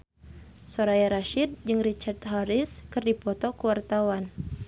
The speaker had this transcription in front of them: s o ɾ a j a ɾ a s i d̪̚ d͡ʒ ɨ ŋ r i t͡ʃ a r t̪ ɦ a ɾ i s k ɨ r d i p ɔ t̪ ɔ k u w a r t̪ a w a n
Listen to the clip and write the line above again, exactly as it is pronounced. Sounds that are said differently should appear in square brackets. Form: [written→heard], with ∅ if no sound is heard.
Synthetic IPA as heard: s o ɾ a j a ɾ a [s→ʃ] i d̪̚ d͡ʒ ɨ ŋ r i t͡ʃ a r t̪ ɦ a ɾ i s k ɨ r d i p ɔ t̪ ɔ k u w a r t̪ a w a n